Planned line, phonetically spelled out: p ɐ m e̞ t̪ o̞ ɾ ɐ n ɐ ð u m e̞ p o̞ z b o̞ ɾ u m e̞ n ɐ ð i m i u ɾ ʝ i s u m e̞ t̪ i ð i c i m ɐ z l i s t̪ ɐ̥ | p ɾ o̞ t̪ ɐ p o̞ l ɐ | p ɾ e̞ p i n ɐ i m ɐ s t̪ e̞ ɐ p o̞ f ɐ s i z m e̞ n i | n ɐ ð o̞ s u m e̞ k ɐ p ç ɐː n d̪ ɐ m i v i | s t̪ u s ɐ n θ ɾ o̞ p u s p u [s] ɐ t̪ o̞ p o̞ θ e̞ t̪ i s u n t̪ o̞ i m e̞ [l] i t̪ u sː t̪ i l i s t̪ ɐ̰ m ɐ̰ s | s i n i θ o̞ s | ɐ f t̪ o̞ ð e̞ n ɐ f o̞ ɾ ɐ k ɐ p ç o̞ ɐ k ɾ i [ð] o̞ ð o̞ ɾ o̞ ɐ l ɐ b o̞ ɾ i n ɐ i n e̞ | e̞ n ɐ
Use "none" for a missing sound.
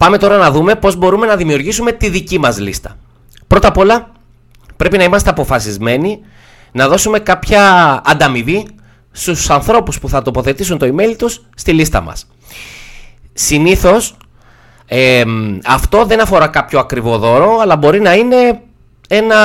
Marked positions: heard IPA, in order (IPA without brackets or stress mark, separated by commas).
θ, l, v